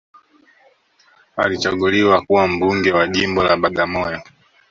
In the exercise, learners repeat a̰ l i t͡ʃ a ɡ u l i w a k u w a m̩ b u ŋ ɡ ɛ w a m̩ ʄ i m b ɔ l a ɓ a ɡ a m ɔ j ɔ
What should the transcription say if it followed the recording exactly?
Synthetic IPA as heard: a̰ l i t͡ʃ a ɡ u l i w a k u w a m̩ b u ŋ ɡ ɛ w a ʄ i m b ɔ l a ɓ a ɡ a m ɔ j ɔ